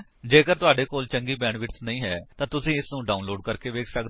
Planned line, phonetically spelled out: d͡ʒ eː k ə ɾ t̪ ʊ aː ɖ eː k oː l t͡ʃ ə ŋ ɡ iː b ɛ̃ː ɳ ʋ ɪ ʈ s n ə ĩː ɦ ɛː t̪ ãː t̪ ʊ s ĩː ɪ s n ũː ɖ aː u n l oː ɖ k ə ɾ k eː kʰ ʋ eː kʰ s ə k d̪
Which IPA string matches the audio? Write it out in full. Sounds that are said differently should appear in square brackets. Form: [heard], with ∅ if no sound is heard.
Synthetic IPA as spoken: d͡ʒ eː k ə ɾ t̪ ʊ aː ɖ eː k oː l t͡ʃ ə ŋ ɡ iː b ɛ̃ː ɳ ʋ ɪ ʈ s n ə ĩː ɦ ɛː t̪ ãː t̪ ʊ s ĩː ɪ s n ũː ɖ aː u n l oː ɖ k ə ɾ k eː [∅] ʋ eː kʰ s ə k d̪